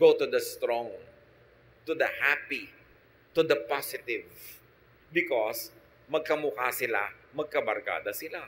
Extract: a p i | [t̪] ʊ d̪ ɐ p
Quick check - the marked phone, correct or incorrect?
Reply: correct